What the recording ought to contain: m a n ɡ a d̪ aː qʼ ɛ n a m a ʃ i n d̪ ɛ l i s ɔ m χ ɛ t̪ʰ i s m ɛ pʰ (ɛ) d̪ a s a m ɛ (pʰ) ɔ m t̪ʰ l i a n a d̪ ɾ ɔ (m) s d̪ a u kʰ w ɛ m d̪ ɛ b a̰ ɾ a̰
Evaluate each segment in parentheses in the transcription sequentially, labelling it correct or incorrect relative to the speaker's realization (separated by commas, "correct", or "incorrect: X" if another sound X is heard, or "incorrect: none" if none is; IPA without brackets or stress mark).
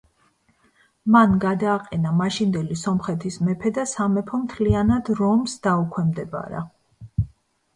correct, correct, correct